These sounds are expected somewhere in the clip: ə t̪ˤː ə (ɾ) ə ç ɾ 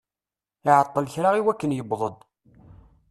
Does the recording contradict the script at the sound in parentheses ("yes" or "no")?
yes